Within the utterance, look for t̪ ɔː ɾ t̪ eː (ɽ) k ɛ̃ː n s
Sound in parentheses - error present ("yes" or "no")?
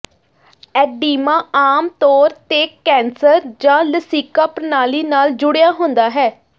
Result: yes